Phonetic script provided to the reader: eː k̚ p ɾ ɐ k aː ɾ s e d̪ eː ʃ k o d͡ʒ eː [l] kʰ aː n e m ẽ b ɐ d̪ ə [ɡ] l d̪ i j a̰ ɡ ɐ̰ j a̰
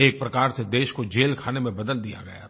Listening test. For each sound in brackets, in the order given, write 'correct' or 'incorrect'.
correct, incorrect

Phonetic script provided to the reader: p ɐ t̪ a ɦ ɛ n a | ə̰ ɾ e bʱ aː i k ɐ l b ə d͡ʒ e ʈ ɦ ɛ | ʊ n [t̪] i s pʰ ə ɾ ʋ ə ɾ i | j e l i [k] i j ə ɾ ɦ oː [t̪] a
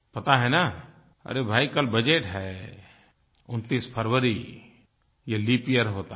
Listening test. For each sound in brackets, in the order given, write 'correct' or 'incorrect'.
correct, incorrect, correct

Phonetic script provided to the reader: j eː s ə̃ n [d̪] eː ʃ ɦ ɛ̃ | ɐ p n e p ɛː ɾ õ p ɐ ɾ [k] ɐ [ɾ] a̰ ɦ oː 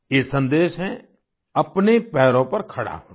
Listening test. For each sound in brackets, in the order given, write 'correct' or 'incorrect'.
correct, incorrect, incorrect

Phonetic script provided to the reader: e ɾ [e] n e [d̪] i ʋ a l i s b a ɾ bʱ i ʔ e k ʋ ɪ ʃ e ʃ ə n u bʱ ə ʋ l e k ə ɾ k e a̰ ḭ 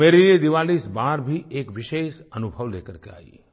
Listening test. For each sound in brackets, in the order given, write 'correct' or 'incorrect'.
incorrect, correct

